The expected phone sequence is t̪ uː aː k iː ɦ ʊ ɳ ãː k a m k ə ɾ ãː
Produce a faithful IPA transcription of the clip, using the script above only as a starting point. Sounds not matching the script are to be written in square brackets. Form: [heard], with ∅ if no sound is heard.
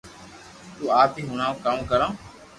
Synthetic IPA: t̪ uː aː [p] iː ɦ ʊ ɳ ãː k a m k ə ɾ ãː